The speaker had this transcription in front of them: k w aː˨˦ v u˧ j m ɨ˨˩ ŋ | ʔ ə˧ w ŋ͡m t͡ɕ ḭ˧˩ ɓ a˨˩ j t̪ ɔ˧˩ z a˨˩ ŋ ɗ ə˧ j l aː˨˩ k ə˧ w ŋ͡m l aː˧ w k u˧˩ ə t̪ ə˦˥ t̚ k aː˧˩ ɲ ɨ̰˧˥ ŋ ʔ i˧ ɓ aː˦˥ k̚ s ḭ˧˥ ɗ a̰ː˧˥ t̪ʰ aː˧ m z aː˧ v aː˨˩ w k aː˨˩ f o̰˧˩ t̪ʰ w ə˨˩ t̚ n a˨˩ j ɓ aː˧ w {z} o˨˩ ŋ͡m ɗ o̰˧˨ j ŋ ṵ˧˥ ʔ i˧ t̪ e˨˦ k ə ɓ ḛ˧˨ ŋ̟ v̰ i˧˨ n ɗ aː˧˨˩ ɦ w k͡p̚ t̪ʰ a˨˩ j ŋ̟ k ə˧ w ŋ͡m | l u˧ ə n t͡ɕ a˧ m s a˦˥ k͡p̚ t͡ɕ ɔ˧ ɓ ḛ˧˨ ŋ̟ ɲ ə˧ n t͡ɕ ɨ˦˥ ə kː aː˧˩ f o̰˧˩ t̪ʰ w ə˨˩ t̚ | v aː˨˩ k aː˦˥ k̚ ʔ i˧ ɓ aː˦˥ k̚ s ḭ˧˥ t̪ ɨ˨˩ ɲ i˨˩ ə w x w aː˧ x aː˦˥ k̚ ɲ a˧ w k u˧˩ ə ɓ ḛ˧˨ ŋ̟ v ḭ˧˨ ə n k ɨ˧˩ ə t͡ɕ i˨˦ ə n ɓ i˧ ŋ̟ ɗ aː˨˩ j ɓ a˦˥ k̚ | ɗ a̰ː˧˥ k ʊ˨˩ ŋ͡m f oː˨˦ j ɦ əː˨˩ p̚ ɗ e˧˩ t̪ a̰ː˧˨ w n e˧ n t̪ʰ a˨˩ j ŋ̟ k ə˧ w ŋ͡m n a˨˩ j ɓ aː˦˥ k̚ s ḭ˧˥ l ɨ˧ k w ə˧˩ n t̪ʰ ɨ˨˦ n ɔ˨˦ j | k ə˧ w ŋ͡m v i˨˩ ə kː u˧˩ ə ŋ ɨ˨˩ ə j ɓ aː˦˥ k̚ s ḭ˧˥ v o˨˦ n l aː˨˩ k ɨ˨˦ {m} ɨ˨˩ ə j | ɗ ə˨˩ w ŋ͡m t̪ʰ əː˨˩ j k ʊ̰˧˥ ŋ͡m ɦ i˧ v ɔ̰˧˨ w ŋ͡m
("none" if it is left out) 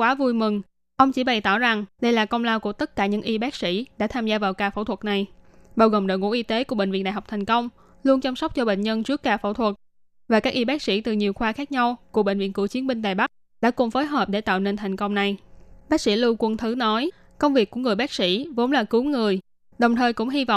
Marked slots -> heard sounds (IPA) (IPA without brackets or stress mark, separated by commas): ɣ, ŋ